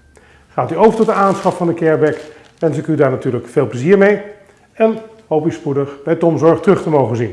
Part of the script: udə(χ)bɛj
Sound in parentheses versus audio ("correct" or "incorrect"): correct